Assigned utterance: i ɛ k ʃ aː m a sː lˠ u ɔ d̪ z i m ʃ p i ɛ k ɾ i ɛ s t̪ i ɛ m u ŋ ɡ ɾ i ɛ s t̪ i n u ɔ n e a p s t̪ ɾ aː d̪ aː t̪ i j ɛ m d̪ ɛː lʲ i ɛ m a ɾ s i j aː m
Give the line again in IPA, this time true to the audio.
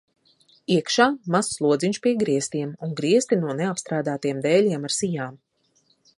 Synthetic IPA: i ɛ k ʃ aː m a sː lˠ u ɔ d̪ z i ɲ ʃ p i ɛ ɡ ɾ i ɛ s t̪ i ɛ m u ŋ ɡ ɾ i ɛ s t̪ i n u ɔ n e a p s t̪ ɾ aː d̪ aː t̪ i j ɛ m d̪ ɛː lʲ i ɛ m a ɾ s i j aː m

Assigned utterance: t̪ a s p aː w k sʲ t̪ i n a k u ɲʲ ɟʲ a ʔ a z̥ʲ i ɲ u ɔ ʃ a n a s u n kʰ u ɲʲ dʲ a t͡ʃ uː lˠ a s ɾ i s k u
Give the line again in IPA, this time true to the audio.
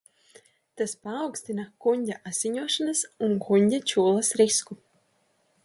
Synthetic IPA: t̪ a s p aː w k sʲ t̪ i n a k u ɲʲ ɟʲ a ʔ a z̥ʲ i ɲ u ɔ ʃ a n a s u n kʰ u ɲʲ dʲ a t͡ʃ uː lˠ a s ɾ i s k u

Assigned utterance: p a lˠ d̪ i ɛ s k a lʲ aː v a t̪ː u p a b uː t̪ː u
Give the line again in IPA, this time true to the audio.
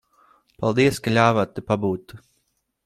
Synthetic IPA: p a lˠ d̪ i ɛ s k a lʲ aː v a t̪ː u p a b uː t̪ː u

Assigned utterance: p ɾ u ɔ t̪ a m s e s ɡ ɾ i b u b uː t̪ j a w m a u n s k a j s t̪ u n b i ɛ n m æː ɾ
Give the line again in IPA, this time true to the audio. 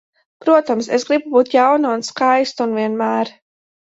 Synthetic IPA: p ɾ u ɔ t̪ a m s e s ɡ ɾ i b u b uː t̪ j a w n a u n s k a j s t̪ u n v i ɛ n m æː ɾ

